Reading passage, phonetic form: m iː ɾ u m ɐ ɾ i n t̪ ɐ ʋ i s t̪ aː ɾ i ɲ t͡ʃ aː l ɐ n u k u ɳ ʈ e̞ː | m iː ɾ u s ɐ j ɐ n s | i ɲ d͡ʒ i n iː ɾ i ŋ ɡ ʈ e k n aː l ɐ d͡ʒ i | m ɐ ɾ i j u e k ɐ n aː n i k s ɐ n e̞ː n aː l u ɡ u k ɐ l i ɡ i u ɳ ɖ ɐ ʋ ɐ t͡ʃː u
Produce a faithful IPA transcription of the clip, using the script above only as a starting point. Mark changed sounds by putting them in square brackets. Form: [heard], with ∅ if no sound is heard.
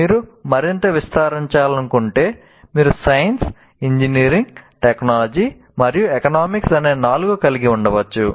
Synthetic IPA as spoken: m iː ɾ u m ɐ ɾ i n t̪ ɐ ʋ i s t̪ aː ɾ i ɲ t͡ʃ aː l ɐ n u k u ɳ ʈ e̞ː | m iː ɾ u s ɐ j ɐ n s | i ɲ d͡ʒ i n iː ɾ i ŋ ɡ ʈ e k n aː l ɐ d͡ʒ i | m ɐ ɾ i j u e k ɐ n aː [m] i k s ɐ n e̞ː n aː l u ɡ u k ɐ l i ɡ i u ɳ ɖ ɐ ʋ ɐ t͡ʃː u